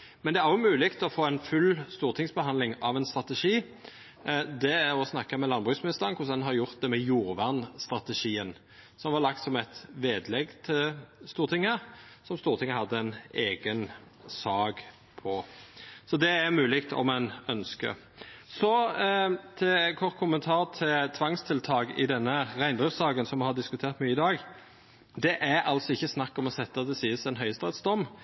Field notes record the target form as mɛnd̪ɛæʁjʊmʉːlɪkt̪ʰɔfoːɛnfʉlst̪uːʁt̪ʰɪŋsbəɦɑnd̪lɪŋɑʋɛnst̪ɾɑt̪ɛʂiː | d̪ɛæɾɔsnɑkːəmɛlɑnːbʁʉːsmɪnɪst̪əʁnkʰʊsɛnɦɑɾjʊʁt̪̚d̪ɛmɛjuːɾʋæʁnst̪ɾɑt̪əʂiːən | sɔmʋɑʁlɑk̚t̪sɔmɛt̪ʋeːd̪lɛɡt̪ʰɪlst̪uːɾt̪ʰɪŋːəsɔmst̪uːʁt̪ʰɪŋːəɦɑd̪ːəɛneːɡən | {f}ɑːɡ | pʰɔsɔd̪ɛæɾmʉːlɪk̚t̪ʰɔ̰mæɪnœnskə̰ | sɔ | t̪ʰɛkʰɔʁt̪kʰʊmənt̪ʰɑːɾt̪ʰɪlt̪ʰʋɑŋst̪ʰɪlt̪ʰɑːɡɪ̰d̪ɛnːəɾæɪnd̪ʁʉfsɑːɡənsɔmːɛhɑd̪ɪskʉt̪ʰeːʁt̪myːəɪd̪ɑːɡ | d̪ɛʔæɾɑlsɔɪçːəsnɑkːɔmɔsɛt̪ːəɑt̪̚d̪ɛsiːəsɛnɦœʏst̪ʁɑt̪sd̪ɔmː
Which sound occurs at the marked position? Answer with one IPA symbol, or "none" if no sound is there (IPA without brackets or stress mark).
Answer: s